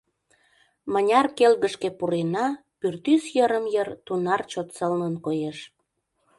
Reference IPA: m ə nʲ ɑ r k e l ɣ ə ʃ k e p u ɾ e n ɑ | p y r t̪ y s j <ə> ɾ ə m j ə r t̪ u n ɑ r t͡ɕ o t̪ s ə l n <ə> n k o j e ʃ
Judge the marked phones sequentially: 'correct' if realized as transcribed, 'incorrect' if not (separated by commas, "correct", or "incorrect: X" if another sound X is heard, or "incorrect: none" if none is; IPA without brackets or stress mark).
correct, correct